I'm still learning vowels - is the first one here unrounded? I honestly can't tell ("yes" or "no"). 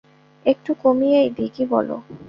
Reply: yes